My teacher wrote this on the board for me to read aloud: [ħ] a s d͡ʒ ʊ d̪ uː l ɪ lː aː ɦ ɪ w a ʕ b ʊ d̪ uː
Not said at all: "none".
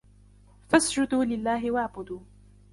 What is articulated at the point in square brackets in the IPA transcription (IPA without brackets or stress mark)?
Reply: f